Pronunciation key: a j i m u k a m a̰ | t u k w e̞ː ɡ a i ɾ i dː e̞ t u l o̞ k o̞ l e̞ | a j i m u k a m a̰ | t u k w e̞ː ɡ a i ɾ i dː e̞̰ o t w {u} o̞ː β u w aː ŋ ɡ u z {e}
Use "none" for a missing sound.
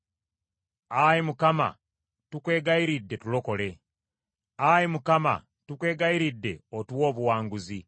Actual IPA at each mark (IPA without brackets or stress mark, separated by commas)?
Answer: w, i